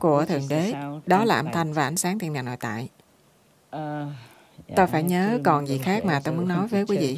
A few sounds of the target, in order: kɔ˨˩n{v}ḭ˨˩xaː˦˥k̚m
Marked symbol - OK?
no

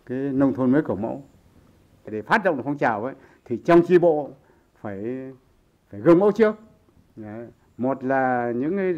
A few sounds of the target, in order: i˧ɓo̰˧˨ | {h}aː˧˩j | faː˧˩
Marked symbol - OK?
no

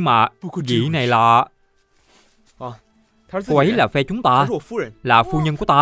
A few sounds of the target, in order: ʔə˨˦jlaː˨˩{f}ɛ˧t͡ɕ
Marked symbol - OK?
yes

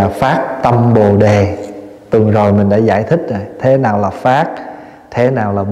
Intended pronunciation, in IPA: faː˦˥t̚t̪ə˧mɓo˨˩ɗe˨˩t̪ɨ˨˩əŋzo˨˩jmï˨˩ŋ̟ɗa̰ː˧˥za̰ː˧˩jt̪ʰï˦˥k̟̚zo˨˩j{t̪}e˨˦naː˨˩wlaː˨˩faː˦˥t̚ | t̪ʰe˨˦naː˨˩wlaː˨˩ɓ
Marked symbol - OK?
no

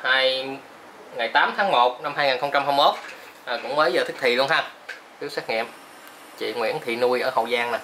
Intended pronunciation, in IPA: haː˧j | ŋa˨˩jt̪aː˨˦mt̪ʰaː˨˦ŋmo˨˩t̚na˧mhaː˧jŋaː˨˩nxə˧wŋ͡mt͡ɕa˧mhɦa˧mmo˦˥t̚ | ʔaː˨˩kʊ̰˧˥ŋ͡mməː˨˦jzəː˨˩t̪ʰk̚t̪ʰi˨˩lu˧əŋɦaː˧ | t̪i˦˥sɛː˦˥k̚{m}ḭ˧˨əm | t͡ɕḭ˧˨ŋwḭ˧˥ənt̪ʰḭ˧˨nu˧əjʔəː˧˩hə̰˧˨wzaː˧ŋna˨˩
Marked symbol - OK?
no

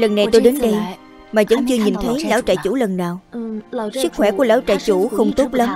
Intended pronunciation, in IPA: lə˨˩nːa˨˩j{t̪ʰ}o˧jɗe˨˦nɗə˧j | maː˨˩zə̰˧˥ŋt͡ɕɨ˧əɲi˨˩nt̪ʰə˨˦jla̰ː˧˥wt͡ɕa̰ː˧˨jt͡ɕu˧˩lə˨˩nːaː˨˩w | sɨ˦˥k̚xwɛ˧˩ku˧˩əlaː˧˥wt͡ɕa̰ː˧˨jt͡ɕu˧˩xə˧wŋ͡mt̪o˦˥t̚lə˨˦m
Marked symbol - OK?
no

